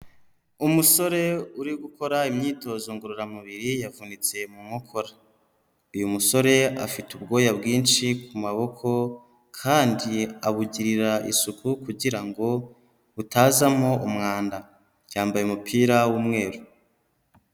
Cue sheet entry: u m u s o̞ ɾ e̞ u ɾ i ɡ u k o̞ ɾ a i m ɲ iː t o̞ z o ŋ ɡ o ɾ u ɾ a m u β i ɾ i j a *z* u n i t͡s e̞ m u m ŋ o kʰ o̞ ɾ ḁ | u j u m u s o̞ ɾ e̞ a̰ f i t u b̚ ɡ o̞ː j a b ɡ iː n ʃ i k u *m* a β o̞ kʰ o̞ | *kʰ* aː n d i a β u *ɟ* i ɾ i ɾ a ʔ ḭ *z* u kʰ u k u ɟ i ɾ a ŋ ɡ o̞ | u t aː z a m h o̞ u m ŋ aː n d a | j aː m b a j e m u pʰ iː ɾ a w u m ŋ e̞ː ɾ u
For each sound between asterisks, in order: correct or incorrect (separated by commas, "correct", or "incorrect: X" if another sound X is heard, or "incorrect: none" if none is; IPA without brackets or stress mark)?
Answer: incorrect: v, correct, correct, correct, incorrect: s